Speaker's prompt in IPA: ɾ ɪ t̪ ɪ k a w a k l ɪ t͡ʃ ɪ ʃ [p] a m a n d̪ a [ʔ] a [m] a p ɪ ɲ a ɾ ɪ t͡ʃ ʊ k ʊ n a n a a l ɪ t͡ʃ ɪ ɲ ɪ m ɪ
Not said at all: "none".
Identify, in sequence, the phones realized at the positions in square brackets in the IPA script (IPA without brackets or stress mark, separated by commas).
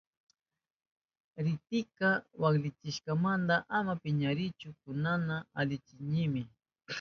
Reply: k, ʔ, m